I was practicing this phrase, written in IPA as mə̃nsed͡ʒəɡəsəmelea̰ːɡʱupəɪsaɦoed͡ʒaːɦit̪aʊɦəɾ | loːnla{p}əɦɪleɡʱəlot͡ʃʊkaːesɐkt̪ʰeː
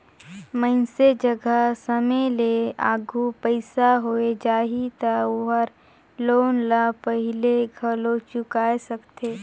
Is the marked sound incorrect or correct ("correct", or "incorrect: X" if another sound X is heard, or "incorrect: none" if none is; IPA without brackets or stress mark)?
correct